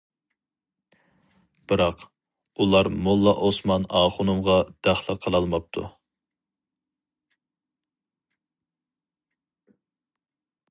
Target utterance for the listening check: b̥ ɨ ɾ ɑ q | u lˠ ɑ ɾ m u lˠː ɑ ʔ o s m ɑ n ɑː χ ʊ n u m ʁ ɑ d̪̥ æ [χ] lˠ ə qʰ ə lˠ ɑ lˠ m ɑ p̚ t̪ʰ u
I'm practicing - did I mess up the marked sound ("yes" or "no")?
no